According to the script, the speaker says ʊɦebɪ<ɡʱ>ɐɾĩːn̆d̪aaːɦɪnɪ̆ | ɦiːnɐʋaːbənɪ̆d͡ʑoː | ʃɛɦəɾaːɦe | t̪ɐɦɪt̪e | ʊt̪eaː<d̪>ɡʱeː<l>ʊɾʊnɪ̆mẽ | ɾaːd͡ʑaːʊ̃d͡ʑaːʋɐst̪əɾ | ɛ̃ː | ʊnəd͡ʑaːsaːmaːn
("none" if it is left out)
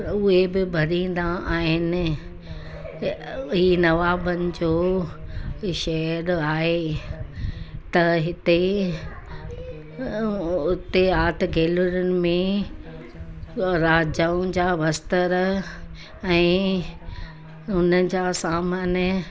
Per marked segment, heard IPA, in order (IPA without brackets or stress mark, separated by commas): bʱ, t̪, l